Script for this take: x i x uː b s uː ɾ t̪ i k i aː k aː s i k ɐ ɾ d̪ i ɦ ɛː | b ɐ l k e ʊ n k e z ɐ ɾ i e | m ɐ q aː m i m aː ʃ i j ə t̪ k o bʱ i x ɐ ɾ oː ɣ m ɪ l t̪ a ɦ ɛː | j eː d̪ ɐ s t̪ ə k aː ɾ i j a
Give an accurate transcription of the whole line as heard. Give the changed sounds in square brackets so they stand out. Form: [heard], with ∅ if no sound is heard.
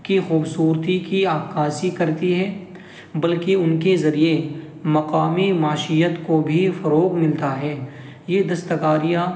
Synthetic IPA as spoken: [k] i x uː b s uː ɾ t̪ i k i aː k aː s i k ɐ ɾ [t̪] i ɦ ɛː | b ɐ l k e ʊ n k e z ɐ ɾ i e | m ɐ q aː m i m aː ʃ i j ə t̪ k o bʱ i [f] ɐ ɾ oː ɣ m ɪ l t̪ a ɦ ɛː | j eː d̪ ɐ s t̪ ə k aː ɾ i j a

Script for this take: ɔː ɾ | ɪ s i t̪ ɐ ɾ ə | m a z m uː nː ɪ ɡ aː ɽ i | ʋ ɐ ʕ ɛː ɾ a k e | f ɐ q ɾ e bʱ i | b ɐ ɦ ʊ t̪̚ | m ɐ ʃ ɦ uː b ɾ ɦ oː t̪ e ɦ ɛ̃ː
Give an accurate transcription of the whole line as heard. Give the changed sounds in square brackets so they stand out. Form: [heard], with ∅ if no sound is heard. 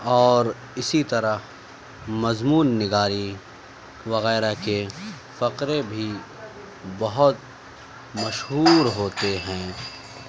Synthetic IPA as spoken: ɔː ɾ | ɪ s i t̪ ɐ ɾ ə | m [ɐ] z m uː nː ɪ ɡ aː [ɾ] i | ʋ ɐ [ɣ] ɛː ɾ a k e | f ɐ q ɾ e bʱ i | b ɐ ɦ ʊ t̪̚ | m ɐ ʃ ɦ uː [∅] ɾ ɦ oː t̪ e ɦ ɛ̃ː

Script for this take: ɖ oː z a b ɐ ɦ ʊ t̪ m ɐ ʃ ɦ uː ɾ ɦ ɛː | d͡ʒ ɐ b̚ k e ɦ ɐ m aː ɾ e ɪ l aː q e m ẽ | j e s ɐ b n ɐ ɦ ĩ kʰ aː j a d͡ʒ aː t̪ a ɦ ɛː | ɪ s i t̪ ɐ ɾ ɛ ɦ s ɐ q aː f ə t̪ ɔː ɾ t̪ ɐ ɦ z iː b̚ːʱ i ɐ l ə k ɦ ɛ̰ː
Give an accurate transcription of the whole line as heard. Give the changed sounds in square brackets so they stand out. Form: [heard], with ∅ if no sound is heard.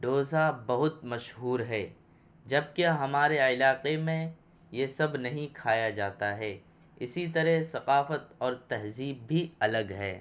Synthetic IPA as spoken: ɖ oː z a b ɐ ɦ ʊ t̪ m ɐ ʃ ɦ uː ɾ ɦ ɛː | d͡ʒ ɐ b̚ k e ɦ ɐ m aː ɾ e ɪ l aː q e m ẽ | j e s ɐ b n ɐ ɦ ĩ kʰ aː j a d͡ʒ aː t̪ a ɦ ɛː | ɪ s i t̪ ɐ ɾ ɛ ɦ s ɐ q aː f ə t̪ ɔː ɾ t̪ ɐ ɦ z iː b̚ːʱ i ɐ l ə [ɡ] ɦ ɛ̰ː

